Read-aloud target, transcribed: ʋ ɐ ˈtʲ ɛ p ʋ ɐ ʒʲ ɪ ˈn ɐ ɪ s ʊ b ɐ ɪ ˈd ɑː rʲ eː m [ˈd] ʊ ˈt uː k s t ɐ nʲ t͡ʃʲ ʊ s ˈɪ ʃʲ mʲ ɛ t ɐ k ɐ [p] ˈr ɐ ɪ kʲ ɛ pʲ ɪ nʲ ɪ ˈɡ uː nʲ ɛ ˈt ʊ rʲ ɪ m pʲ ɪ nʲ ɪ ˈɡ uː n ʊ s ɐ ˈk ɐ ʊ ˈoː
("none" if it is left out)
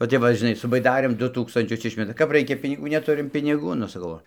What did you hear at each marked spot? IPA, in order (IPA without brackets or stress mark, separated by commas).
d, p